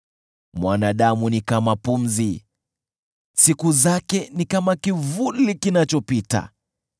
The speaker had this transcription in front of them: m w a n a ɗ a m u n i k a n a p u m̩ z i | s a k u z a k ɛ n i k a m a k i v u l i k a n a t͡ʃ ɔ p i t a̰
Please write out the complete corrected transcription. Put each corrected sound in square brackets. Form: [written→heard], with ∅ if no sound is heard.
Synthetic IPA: m w a n a ɗ a m u n i k a [n→m] a p u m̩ z i | s [a→i] k u z a k ɛ n i k a m a k i v u l i k [a→i] n a t͡ʃ ɔ p i t a̰